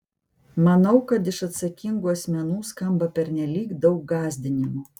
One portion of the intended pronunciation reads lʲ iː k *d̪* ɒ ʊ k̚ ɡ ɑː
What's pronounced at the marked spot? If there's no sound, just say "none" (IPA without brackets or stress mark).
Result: d̪